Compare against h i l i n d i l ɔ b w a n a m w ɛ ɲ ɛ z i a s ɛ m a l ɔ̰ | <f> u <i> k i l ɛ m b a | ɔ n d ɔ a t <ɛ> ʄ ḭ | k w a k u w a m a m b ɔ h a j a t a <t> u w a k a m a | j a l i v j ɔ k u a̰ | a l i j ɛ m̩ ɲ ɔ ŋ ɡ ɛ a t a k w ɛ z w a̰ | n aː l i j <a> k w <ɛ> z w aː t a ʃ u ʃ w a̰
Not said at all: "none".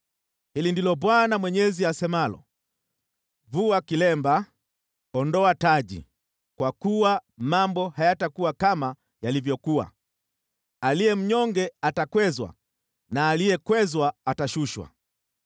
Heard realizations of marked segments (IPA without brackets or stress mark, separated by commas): v, a, a, k, ɛ, ɛ